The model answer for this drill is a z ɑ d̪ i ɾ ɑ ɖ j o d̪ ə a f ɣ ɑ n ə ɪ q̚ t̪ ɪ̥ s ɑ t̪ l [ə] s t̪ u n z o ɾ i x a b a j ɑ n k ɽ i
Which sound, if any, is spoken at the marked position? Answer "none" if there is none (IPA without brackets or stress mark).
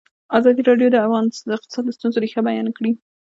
ə